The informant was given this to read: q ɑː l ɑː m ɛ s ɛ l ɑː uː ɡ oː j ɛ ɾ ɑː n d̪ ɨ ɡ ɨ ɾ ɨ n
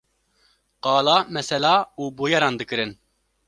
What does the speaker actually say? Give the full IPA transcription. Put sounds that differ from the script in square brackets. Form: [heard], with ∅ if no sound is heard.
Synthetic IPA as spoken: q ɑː l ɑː m ɛ s ɛ l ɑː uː [b] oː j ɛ ɾ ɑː n d̪ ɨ [k] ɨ ɾ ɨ n